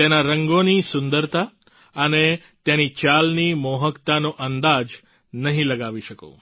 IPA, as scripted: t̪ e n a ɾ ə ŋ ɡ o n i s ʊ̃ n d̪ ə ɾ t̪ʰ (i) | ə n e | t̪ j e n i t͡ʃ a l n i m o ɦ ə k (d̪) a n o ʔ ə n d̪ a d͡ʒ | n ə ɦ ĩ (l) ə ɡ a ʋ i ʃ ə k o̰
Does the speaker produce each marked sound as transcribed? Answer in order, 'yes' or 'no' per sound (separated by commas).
no, no, yes